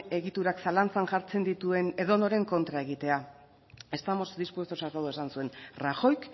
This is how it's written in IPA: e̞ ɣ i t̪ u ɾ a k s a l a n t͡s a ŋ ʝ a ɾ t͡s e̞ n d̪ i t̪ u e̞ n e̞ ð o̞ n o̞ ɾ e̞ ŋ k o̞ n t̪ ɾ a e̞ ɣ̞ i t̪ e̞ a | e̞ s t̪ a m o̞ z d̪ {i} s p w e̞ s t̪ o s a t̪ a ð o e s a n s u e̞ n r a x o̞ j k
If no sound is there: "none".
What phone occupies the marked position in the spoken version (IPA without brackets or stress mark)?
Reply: i